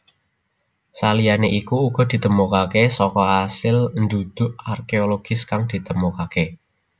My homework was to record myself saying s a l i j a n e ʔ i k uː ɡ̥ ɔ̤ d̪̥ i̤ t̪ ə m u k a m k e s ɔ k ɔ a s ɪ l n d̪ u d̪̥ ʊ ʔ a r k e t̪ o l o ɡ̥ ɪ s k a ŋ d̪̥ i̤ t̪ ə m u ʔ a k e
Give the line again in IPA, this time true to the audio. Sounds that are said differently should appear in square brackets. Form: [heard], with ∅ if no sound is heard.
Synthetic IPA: s a l i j a n e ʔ i k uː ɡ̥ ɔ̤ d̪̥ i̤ t̪ ə m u k a [∅] k e s ɔ k ɔ a s ɪ l n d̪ u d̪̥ ʊ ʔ a r k e [∅] o l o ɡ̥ ɪ s k a ŋ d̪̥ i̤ t̪ ə m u [k] a k e